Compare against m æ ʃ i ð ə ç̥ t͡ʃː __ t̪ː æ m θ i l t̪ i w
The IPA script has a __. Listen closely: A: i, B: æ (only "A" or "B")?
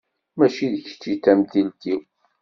A